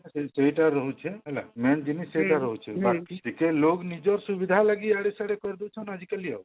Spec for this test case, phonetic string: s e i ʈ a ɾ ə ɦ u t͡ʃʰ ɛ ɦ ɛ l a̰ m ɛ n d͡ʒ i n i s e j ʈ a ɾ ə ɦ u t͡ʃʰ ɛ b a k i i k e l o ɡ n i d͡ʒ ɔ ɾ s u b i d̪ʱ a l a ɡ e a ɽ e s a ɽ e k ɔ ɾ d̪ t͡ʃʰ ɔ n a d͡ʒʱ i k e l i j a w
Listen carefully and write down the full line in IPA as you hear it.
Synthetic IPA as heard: s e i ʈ a ɾ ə ɦ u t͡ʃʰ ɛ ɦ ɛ l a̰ m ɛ n d͡ʒ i n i s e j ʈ a ɾ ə ɦ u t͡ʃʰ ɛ b a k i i k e l o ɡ n i d͡ʒ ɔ ɾ s u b i d̪ʱ a l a ɡ i a ɽ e s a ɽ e k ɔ ɾ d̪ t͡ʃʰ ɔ n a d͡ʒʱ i k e l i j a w